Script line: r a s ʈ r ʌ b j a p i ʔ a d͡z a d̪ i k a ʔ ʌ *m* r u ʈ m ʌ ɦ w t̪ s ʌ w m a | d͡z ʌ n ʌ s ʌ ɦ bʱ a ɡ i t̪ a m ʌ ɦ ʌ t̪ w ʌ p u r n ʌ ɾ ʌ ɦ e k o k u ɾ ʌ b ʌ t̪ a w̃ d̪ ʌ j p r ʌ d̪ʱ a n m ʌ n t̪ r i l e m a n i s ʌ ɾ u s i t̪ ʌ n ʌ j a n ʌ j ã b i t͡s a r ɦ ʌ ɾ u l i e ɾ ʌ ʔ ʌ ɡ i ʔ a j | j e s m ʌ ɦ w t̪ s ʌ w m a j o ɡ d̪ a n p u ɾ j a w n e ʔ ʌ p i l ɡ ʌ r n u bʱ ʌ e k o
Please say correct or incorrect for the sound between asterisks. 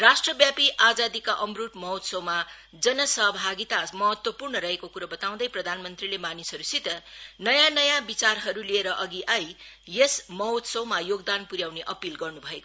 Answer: correct